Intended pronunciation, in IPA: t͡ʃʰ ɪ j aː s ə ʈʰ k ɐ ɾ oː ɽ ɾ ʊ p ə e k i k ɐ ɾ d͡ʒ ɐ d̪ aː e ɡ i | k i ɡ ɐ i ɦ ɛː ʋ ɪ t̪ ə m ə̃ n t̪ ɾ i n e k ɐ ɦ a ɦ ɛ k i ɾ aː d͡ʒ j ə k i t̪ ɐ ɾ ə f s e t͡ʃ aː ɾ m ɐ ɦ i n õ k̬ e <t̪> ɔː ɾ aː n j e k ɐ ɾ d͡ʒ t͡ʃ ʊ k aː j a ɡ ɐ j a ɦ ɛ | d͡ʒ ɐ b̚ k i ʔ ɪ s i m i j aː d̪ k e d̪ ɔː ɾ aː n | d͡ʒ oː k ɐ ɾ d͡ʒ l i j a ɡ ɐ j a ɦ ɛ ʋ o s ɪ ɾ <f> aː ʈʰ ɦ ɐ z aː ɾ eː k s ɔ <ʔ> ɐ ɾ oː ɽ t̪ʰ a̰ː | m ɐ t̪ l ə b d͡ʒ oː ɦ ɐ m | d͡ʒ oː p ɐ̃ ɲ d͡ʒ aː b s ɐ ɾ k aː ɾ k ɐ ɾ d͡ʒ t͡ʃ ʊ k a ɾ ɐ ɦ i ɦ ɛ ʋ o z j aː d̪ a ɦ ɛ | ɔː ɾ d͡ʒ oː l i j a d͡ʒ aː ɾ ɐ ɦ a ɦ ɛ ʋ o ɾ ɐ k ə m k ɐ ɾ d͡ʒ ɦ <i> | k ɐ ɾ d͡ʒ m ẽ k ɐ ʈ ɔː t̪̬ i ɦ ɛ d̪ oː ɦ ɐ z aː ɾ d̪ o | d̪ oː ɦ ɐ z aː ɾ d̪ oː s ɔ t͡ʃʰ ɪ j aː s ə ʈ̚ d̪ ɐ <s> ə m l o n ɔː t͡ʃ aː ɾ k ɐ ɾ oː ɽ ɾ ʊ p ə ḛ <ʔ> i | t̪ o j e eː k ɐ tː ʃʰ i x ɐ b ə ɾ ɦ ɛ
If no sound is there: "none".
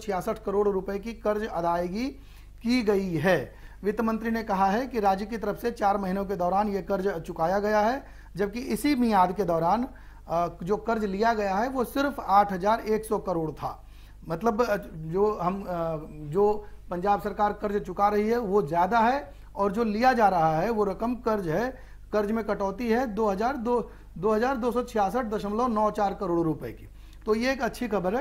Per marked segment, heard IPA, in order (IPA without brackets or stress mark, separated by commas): d̪, f, k, ɛ, ʃ, k